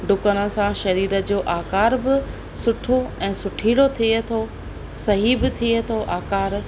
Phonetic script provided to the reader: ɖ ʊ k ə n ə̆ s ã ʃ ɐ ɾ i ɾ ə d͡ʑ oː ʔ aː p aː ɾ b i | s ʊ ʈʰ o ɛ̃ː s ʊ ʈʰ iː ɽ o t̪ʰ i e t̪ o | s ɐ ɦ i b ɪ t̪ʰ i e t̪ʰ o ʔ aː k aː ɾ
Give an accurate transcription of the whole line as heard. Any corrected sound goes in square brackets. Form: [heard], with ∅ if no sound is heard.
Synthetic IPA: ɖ ʊ k ə n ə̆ s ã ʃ ɐ ɾ [iː] ɾ ə d͡ʑ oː ʔ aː [k] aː ɾ b [ɪ] | s ʊ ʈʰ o ɛ̃ː s ʊ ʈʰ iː ɽ o t̪ʰ i e [t̪ʰ] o | s ɐ ɦ i b ɪ t̪ʰ i e t̪ʰ o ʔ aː k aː ɾ